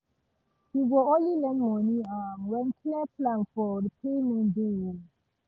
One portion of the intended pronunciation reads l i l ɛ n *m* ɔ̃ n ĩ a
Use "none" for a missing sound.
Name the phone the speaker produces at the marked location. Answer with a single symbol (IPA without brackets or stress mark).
m